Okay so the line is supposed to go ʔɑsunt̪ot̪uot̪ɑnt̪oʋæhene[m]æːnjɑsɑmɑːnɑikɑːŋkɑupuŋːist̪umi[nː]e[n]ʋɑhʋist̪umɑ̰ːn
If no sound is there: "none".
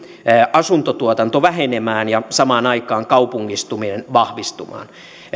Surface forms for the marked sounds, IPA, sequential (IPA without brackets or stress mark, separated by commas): m, n, n